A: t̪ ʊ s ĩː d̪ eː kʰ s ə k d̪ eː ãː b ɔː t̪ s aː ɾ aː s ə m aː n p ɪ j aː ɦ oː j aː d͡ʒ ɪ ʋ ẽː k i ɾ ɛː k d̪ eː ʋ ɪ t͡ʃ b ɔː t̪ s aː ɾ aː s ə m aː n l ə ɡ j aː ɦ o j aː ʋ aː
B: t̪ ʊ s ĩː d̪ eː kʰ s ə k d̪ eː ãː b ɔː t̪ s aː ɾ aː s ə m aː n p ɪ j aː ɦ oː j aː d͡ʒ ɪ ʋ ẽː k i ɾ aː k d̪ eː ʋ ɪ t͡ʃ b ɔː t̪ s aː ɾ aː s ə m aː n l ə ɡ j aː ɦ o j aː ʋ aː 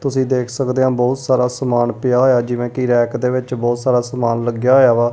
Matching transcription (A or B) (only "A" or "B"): A